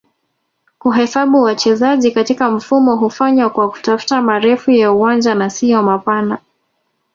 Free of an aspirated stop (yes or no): yes